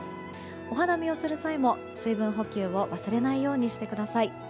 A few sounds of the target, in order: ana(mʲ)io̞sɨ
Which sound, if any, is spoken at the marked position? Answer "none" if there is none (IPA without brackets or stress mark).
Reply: mʲ